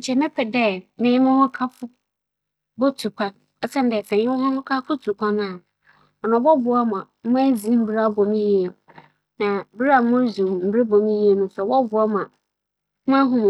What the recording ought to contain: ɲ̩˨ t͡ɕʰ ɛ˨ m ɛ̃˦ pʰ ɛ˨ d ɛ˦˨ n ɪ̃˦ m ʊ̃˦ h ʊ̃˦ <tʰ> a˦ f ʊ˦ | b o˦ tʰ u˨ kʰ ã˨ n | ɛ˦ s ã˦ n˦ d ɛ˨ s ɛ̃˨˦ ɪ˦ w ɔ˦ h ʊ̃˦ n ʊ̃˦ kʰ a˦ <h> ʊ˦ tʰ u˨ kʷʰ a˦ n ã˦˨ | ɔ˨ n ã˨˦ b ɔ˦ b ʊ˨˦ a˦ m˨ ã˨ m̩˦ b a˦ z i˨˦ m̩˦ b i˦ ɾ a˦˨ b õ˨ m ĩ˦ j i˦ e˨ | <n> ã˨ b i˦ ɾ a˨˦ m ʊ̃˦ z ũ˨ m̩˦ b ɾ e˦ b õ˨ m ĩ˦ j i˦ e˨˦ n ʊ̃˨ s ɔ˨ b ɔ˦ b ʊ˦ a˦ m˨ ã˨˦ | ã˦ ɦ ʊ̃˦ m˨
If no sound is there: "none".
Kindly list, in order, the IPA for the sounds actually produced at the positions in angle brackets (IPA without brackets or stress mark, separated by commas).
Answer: kʰ, f, n